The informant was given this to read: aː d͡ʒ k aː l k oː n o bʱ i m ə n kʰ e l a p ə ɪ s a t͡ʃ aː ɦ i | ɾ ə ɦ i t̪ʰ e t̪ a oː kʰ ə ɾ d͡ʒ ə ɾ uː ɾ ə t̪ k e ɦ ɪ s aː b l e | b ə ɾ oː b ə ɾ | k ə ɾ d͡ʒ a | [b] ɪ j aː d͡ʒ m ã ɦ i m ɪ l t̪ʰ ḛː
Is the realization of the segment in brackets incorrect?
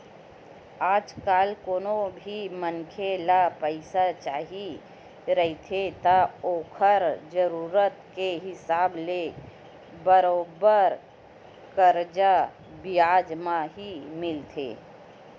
no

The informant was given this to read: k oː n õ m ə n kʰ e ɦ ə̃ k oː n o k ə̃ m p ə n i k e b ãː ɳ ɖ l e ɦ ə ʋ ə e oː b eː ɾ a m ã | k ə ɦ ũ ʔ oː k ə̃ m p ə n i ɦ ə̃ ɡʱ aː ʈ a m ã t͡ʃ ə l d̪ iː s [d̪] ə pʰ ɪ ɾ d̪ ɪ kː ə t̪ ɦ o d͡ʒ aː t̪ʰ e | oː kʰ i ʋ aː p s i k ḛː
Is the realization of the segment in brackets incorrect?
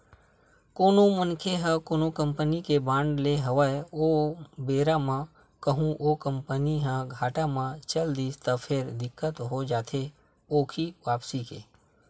yes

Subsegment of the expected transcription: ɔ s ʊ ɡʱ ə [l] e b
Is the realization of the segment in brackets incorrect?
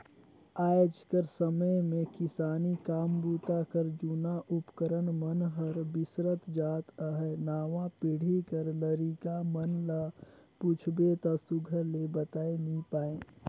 no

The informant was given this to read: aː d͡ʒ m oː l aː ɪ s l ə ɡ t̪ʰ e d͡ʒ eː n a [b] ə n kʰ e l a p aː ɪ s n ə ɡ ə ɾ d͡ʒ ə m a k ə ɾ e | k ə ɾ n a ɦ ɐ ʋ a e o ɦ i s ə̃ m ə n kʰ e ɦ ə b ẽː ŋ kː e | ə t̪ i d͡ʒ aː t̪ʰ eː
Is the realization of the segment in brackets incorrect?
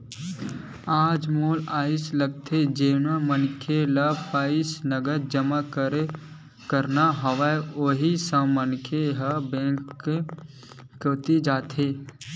yes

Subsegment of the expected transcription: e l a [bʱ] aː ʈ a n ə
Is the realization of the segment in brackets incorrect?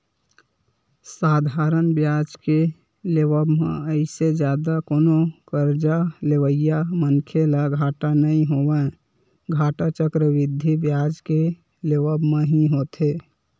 yes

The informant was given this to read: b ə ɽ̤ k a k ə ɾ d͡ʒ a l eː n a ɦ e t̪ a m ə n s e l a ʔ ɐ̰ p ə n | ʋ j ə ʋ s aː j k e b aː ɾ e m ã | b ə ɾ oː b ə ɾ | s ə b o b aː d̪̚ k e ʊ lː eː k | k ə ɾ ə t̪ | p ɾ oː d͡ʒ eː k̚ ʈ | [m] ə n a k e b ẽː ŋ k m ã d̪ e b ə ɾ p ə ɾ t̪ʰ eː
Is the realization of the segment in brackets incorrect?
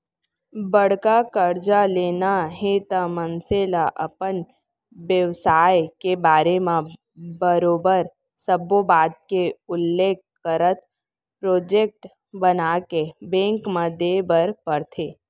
yes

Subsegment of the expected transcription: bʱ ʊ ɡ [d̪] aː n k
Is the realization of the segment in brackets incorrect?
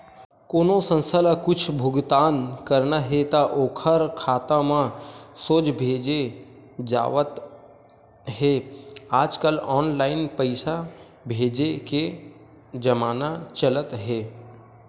yes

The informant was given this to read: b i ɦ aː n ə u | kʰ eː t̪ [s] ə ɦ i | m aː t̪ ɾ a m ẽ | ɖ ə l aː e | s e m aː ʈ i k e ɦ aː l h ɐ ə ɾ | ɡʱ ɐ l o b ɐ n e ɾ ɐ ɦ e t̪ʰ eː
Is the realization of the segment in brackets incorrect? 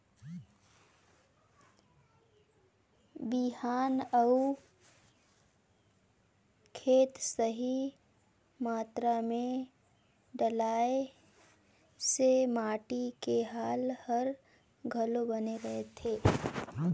no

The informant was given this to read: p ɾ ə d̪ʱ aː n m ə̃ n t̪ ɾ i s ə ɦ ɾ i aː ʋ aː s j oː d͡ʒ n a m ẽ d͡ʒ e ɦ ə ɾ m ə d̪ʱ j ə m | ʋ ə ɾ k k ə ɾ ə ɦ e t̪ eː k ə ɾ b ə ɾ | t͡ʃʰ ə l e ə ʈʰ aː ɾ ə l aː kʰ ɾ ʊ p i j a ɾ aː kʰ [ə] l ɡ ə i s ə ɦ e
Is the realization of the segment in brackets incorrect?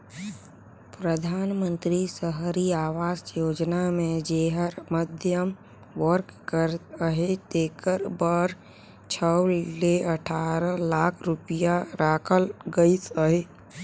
no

